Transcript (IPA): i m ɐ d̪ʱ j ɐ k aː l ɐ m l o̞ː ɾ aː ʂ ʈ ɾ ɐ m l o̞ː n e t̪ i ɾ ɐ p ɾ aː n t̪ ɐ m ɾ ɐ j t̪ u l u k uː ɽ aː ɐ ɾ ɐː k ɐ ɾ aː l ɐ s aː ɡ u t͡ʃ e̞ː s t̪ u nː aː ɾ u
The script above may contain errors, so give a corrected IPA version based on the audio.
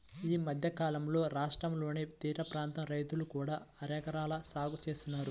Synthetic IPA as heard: iː m ɐ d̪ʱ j ɐ k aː l ɐ m l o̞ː ɾ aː ʂ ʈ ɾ ɐ m l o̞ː n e t̪ iː ɾ ɐ p ɾ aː n t̪ ɐ m ɾ ɐ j t̪ u l u k uː ɽ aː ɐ ɾ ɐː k ɐ ɾ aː l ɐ s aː ɡ u t͡ʃ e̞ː s t̪ u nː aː ɾ u